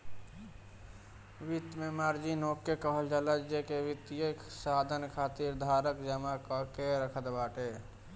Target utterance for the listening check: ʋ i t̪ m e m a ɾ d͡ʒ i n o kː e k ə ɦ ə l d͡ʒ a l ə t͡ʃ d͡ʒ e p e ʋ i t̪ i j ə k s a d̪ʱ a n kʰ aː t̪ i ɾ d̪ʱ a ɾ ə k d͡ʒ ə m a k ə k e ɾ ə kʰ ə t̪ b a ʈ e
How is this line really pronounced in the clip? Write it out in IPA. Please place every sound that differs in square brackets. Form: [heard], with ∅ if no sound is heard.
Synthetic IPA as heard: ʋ i t̪ m e m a ɾ d͡ʒ i n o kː e k ə ɦ ə l d͡ʒ a l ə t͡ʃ d͡ʒ e [k] e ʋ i t̪ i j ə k s a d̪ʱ [ə] n kʰ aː t̪ i ɾ d̪ʱ a ɾ ə k d͡ʒ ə m a k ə k e ɾ ə kʰ ə t̪ b a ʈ e